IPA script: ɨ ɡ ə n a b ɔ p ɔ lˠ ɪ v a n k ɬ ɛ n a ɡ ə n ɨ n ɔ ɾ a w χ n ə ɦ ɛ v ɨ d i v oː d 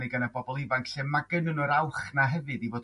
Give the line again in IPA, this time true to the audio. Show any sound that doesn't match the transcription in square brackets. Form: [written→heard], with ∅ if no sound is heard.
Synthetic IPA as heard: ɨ ɡ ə n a b ɔ [p→b] ɔ lˠ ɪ v a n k ɬ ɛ [n→m] a ɡ ə n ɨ n ɔ ɾ a w χ n [ə→a] ɦ ɛ v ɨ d i v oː d